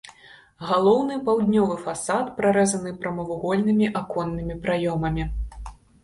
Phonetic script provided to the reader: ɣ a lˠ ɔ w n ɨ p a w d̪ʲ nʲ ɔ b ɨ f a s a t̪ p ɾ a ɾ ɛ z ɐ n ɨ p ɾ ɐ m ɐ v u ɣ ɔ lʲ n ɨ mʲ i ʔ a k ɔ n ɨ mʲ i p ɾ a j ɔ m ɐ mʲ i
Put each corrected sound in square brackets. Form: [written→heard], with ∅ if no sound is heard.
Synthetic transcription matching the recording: ɣ a lˠ ɔ w n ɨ p a w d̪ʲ nʲ ɔ [b→v] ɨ f a s a t̪ p ɾ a ɾ ɛ z ɐ n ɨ p ɾ ɐ m ɐ v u ɣ ɔ lʲ n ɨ mʲ i ʔ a k ɔ [n→nː] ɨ mʲ i p ɾ a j ɔ m ɐ mʲ i